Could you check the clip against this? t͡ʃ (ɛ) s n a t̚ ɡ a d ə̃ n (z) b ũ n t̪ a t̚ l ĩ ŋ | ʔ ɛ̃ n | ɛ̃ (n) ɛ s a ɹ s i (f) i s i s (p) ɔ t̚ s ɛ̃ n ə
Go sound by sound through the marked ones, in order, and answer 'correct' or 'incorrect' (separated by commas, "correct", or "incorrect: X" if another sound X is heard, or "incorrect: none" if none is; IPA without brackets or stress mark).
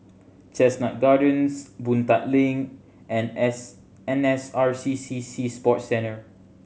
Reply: correct, incorrect: s, correct, incorrect: s, correct